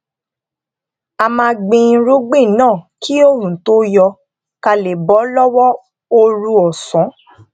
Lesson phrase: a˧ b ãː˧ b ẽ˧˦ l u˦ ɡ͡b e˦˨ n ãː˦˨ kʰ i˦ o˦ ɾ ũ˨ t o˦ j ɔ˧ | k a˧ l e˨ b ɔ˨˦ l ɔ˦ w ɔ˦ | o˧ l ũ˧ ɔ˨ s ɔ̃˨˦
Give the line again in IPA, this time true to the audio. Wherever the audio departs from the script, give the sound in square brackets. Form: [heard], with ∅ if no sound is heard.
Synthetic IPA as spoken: a˧ [m] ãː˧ [ɡ͡b] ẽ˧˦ [ɾ] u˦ ɡ͡b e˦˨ n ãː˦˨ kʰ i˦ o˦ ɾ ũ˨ t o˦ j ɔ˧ | k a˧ l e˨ b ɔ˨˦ l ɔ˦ w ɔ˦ | o˧ [ɾ] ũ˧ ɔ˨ s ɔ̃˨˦